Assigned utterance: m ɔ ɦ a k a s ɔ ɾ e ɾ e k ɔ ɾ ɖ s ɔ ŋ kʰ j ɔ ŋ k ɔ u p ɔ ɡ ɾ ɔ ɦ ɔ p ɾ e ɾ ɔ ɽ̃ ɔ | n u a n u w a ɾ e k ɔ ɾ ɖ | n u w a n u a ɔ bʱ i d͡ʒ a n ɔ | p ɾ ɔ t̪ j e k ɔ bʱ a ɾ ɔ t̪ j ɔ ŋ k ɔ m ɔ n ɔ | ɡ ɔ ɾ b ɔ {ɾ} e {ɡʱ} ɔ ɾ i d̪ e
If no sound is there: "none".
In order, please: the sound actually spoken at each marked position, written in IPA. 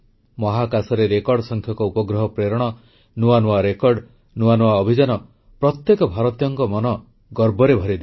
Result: ɾ, bʱ

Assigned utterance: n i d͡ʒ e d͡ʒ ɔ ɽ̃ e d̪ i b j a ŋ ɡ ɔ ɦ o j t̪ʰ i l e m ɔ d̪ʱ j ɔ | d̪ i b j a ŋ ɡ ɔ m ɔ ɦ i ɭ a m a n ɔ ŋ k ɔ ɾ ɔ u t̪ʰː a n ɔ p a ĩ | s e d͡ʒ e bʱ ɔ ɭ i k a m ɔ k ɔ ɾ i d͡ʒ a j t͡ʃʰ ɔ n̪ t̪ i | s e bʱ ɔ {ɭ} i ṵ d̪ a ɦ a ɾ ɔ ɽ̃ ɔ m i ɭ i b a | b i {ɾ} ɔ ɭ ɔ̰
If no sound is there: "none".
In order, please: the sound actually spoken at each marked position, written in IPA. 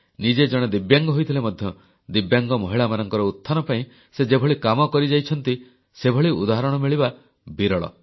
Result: ɭ, ɾ

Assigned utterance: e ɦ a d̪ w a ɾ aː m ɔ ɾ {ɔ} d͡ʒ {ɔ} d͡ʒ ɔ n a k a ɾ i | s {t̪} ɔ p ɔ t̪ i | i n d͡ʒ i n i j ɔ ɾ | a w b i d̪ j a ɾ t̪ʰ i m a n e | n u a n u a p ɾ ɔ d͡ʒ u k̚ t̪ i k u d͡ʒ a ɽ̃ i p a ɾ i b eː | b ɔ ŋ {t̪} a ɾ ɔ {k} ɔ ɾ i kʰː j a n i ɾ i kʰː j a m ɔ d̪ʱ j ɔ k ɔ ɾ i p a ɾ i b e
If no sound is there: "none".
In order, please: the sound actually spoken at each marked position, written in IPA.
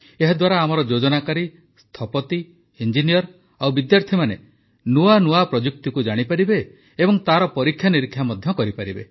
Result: ɔ, o, t̪ʰ, t̪, p

